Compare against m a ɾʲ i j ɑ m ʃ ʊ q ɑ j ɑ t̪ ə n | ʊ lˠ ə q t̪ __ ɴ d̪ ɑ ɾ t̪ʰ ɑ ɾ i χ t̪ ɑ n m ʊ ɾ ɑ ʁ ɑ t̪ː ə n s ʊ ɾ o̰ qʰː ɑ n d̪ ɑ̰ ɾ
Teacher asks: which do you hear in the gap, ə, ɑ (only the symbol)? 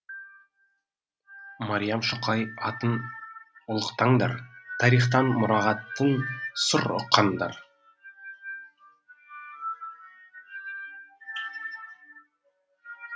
ɑ